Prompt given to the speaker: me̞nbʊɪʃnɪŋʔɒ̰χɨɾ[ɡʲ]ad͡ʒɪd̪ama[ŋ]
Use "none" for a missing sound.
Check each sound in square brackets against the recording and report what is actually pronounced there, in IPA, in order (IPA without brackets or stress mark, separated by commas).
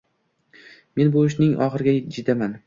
ɡʲ, n